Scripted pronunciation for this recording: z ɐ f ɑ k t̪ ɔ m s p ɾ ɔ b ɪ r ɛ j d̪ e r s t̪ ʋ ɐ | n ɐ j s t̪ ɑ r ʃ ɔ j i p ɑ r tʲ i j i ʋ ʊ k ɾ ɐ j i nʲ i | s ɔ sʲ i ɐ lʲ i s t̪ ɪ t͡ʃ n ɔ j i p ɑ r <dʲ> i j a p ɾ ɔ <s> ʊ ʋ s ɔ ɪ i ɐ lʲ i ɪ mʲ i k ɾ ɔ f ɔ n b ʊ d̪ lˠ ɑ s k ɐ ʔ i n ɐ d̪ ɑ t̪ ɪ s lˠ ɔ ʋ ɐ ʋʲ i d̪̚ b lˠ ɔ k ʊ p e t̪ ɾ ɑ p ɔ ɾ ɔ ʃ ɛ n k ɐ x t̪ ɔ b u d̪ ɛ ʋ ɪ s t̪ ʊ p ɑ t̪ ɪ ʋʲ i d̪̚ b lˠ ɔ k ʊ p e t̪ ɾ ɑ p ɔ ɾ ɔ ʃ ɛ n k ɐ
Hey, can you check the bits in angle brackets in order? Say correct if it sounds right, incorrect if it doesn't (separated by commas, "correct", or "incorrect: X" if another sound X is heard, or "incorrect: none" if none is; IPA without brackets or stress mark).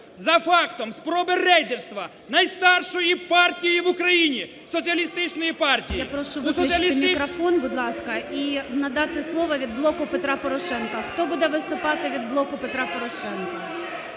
incorrect: tʲ, incorrect: ʃ